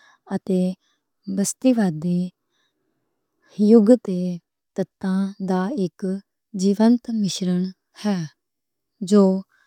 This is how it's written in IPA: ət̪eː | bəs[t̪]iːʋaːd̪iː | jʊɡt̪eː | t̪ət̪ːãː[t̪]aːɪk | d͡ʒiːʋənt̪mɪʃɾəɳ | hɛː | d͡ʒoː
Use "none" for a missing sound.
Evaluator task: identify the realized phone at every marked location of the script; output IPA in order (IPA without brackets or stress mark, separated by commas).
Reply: t̪, d̪